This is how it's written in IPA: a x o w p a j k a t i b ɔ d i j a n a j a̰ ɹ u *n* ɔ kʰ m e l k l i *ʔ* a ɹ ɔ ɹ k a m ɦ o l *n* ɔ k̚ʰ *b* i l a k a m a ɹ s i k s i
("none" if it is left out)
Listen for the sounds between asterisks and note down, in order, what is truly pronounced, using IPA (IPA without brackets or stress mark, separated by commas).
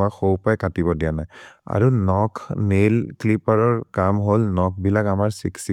n, p, n, b